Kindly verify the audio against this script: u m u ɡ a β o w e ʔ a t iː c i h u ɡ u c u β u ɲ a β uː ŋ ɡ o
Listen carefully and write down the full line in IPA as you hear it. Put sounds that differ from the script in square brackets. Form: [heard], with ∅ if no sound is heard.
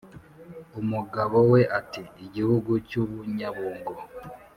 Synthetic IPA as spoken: u m u ɡ a β o w e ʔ a t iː [ɟ] i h u ɡ u c u β u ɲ a β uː ŋ ɡ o